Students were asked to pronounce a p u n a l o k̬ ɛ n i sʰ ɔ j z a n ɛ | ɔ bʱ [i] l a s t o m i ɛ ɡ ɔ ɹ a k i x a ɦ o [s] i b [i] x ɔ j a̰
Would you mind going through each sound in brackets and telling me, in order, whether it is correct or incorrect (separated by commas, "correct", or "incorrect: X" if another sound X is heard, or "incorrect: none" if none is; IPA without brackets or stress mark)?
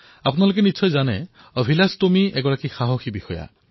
correct, incorrect: x, correct